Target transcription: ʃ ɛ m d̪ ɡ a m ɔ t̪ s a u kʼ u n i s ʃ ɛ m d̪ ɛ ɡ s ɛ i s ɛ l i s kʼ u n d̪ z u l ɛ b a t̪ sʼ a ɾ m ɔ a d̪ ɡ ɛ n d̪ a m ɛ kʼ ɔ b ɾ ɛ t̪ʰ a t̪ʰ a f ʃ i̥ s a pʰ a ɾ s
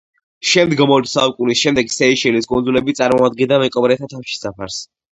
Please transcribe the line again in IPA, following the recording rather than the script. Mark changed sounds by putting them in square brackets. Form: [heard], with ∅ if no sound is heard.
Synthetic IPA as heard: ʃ ɛ m d̪ ɡ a m ɔ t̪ s a u kʼ u n i s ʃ ɛ m d̪ ɛ ɡ s ɛ i [ʃ] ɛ l i s kʼ u n d̪ z u l ɛ b [i] t̪ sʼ a ɾ m ɔ a d̪ ɡ ɛ n d̪ a m ɛ kʼ ɔ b ɾ ɛ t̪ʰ a t̪ʰ a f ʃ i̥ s a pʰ a ɾ s